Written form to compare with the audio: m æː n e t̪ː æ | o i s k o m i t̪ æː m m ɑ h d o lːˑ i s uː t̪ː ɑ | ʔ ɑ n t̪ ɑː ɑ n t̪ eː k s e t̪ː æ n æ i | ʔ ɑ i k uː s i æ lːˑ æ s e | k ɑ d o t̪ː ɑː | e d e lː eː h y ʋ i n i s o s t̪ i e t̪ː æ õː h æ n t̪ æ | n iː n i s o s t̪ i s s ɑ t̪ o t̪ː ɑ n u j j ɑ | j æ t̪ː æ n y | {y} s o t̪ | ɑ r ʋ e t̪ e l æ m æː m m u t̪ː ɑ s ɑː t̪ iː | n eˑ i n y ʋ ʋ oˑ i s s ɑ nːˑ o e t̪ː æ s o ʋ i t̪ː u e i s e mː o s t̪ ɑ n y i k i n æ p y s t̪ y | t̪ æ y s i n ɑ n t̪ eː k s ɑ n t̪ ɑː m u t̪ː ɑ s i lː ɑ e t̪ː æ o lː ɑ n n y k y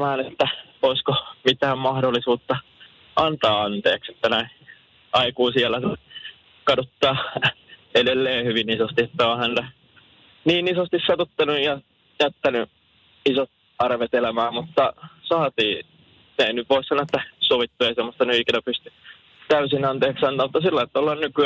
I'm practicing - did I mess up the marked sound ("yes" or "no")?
yes